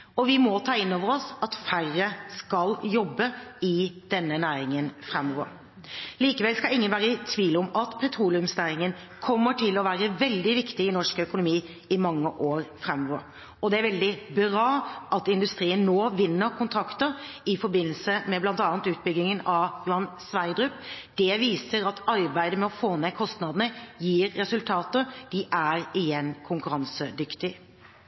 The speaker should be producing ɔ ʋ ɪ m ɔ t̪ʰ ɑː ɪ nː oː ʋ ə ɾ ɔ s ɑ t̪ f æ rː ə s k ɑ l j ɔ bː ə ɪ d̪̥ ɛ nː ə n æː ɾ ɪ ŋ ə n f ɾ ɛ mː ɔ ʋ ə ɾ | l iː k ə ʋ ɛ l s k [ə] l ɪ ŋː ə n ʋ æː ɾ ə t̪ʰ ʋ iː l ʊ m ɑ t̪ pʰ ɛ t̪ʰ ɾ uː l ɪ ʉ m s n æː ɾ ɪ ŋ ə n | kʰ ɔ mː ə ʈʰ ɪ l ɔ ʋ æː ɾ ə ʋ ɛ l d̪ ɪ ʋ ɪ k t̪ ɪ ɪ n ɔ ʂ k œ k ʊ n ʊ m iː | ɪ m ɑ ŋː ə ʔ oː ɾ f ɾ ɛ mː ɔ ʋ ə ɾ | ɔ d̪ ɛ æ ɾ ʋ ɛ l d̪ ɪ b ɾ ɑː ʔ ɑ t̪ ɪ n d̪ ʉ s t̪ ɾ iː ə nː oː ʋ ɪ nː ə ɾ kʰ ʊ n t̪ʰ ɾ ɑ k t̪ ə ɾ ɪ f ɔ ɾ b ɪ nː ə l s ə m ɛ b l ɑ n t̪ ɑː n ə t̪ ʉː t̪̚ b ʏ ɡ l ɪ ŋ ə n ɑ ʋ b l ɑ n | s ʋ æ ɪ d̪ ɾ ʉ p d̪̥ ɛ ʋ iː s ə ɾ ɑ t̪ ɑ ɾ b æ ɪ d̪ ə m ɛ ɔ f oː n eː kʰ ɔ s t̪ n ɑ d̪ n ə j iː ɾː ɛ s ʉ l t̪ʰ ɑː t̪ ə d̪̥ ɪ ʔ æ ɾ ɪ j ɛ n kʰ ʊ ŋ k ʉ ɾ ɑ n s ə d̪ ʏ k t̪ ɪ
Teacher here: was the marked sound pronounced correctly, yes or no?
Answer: no